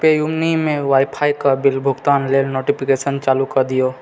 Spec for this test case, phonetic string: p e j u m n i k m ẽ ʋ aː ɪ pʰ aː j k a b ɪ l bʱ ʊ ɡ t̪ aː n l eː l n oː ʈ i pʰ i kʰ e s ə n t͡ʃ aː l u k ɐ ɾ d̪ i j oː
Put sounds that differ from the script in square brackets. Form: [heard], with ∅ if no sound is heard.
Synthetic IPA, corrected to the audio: p e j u m n i [∅] m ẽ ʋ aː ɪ pʰ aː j k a b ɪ l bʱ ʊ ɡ t̪ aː n l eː l n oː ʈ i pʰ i [k] e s ə n t͡ʃ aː l u k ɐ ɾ d̪ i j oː